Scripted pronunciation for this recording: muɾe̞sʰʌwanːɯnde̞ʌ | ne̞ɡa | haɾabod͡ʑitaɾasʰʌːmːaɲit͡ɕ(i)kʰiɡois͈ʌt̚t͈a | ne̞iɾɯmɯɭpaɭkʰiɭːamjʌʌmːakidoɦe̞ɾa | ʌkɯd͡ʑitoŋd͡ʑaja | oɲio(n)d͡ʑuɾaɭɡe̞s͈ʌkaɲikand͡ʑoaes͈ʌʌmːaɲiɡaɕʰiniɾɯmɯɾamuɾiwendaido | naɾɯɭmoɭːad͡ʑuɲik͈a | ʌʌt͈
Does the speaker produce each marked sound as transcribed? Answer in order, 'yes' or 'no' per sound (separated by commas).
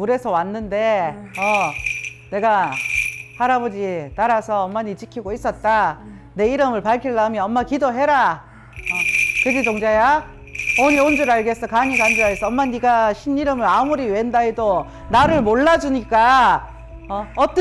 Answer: yes, yes